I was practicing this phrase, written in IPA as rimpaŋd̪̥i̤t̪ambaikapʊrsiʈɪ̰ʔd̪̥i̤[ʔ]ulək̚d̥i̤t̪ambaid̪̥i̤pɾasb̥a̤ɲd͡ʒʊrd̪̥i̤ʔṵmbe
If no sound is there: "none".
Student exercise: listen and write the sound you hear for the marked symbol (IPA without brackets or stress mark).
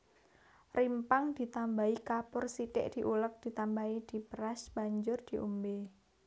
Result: ʔ